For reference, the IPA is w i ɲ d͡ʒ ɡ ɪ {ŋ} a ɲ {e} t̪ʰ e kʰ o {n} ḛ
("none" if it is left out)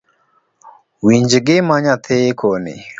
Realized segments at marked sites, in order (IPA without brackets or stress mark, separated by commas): m, a, n